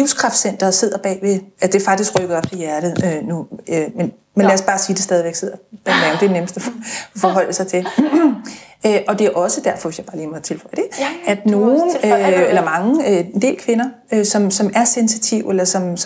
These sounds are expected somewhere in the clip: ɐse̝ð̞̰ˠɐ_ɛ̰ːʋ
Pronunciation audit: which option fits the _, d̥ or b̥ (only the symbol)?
b̥